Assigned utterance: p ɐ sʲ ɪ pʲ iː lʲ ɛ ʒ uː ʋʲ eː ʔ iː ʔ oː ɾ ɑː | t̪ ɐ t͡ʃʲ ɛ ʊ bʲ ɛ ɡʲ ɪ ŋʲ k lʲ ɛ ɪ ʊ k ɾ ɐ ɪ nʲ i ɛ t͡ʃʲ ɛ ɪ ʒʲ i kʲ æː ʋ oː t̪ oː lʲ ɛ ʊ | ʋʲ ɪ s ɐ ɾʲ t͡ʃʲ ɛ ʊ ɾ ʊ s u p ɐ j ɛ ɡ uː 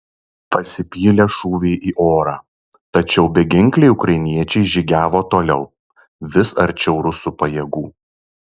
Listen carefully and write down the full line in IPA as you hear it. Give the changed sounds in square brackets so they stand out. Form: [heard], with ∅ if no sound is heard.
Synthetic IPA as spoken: p ɐ sʲ ɪ pʲ iː lʲ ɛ [ʃ] uː ʋʲ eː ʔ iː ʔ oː ɾ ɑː | t̪ ɐ t͡ʃʲ ɛ ʊ bʲ ɛ ɡʲ ɪ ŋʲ k lʲ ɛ ɪ ʊ k ɾ ɐ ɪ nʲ i ɛ t͡ʃʲ ɛ ɪ ʒʲ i [ɡʲ] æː ʋ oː t̪ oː lʲ ɛ ʊ | ʋʲ ɪ s ɐ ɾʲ t͡ʃʲ ɛ ʊ ɾ ʊ s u p ɐ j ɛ ɡ uː